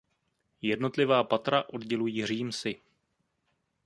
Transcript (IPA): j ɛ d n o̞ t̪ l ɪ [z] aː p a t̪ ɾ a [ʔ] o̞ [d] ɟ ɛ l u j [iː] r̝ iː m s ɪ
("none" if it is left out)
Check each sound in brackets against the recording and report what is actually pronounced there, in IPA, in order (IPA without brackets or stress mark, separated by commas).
v, ʔ, d, iː